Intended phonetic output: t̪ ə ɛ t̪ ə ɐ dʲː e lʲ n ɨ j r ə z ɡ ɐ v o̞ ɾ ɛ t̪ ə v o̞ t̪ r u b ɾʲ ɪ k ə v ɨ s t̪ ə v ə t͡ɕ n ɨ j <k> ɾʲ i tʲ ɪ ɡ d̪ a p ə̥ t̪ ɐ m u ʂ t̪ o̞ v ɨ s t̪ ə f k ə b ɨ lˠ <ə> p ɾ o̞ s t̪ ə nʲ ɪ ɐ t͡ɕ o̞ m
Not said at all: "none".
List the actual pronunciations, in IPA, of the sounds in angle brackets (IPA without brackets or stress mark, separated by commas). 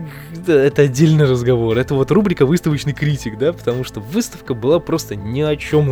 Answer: k, a